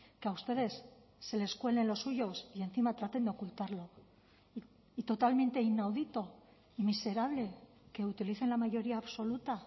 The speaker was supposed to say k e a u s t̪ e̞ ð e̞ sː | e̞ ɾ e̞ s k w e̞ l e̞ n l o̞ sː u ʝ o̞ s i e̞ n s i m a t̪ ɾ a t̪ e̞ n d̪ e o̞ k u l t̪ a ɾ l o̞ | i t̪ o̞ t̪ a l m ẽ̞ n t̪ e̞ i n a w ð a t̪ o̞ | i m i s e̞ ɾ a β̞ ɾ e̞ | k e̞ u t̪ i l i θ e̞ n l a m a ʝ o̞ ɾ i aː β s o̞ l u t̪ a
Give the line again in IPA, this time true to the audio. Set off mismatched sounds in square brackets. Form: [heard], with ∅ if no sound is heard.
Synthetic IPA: k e a u s t̪ e̞ ð e̞ sː | e̞ [l] e̞ s k w e̞ l e̞ n l o̞ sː u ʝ o̞ s i e̞ n [θ] i m a t̪ ɾ a t̪ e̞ n d̪ e o̞ k u l t̪ a ɾ l o̞ | i t̪ o̞ t̪ a l m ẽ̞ n t̪ e̞ i n a w ð [i] t̪ o̞ | i m i s e̞ ɾ a β̞ [l] e̞ | k e̞ u t̪ i l i θ e̞ n l a m a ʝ o̞ ɾ i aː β s o̞ l u t̪ a